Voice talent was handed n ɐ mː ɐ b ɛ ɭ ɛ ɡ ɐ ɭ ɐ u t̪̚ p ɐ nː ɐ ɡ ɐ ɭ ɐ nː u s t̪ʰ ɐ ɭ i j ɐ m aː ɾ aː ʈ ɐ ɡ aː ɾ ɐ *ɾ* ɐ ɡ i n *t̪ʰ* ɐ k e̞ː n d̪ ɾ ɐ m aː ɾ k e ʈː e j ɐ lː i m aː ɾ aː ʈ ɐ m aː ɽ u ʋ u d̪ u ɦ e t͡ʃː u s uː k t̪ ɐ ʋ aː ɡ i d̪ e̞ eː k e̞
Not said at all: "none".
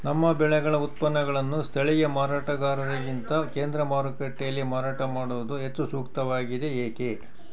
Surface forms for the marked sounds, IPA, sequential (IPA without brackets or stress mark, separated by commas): ɾ, t̪